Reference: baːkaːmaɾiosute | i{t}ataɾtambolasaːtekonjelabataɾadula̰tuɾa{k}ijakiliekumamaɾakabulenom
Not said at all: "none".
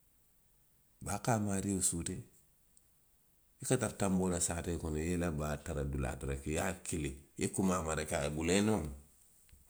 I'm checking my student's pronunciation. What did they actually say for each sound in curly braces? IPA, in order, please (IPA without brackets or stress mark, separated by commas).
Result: k, k